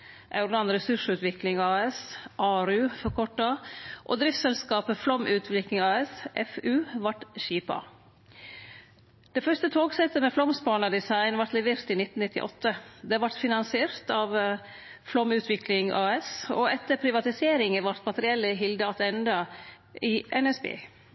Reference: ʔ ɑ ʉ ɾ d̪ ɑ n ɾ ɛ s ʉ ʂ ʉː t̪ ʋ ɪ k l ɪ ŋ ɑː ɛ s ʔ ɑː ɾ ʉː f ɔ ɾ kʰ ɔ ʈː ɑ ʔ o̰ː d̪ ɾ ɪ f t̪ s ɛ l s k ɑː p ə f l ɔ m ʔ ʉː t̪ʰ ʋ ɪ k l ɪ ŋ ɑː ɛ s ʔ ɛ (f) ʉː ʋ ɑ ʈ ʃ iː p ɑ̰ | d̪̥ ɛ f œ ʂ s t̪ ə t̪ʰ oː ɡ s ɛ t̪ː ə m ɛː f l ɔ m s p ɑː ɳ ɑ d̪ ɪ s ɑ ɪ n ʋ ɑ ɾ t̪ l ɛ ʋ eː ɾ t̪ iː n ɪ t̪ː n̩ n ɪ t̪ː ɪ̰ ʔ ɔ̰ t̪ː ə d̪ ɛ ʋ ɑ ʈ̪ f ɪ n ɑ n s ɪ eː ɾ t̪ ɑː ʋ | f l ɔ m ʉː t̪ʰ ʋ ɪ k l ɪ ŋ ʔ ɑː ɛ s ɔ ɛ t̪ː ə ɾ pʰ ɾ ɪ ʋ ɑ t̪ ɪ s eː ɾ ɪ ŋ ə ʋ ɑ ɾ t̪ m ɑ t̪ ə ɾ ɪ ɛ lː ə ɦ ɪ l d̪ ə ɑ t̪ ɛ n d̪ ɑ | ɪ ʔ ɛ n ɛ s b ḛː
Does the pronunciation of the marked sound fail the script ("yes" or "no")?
no